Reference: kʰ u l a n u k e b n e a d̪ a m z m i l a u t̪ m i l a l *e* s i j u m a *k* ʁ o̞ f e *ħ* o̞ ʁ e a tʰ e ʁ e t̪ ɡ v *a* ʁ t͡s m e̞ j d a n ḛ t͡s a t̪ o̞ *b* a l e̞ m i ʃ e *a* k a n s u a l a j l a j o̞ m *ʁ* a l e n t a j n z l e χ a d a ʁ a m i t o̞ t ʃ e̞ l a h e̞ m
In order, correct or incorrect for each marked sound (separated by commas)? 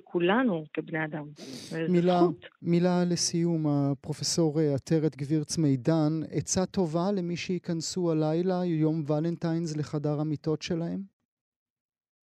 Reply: correct, incorrect, incorrect, incorrect, incorrect, incorrect, incorrect